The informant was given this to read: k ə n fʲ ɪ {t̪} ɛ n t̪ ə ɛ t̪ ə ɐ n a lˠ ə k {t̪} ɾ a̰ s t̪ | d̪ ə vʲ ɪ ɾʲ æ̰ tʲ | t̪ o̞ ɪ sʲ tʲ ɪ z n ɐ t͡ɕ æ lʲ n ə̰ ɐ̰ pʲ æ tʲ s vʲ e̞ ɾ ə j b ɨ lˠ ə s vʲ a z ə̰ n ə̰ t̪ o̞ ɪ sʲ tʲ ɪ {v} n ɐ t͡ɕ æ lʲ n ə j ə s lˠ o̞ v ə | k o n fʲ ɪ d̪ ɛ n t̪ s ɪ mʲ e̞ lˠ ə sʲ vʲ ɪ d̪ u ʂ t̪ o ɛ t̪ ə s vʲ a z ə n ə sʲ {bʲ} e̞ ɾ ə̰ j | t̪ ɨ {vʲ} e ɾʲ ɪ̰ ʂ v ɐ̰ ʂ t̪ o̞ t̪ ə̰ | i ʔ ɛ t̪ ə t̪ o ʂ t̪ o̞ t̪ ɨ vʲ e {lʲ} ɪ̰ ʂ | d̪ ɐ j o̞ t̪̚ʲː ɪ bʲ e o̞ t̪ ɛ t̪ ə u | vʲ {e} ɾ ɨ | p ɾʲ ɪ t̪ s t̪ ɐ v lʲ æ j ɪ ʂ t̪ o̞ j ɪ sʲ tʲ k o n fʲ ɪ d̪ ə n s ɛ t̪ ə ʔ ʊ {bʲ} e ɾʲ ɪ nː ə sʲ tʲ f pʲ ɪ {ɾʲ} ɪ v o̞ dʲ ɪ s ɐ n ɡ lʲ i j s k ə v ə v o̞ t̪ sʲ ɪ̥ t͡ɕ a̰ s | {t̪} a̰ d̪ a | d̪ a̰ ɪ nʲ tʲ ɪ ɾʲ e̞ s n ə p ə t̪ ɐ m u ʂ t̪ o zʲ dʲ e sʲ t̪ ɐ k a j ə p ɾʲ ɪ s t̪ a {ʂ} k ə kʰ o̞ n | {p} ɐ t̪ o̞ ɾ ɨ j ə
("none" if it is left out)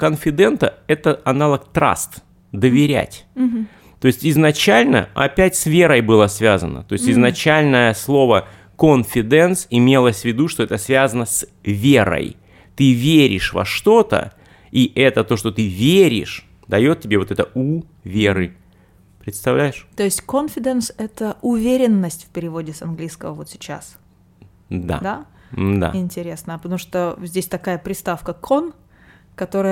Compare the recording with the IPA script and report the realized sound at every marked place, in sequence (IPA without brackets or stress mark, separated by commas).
d̪, t̪, z, vʲ, vʲ, ɾʲ, e, vʲ, ɾʲ, d̪, f, k